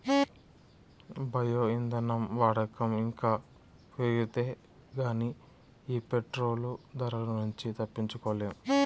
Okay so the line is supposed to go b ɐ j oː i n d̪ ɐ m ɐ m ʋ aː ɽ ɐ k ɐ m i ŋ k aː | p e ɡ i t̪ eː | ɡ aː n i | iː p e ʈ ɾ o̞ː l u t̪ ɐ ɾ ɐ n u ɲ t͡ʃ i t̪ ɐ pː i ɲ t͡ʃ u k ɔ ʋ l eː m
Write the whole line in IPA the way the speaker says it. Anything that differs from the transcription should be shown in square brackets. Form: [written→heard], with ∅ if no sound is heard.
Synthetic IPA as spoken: b ɐ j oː i n d̪ ɐ [m→n] ɐ m ʋ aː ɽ ɐ k ɐ m i ŋ k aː | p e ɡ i t̪ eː | ɡ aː n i | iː p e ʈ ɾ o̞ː l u [t̪→d̪] ɐ ɾ ɐ n u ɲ t͡ʃ i t̪ ɐ pː i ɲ t͡ʃ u k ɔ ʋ l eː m